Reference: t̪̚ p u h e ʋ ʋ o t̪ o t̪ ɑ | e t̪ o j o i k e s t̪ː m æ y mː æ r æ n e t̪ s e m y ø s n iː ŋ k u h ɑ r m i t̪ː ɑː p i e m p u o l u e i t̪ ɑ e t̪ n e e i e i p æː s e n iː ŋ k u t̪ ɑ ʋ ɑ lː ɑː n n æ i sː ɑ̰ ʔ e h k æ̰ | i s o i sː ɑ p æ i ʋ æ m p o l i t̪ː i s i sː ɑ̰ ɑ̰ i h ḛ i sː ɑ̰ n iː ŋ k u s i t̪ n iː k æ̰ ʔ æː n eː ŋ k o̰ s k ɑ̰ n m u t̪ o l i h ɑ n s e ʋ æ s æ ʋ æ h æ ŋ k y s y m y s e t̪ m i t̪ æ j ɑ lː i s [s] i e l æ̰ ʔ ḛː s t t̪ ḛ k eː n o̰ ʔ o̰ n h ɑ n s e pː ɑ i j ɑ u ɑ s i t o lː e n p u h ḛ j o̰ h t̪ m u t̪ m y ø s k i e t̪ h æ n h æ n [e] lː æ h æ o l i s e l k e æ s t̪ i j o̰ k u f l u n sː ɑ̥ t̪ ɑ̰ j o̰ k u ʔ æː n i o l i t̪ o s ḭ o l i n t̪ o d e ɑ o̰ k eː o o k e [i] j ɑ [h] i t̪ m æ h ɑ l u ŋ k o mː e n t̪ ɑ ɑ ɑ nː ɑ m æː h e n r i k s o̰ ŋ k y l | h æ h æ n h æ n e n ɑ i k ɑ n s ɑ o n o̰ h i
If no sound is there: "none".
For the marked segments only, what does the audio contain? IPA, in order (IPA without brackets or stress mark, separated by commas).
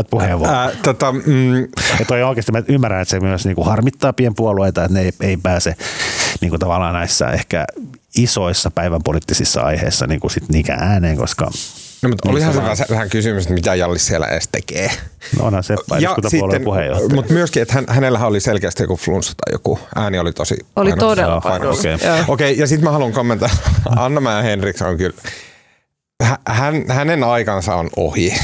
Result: s, e, i, s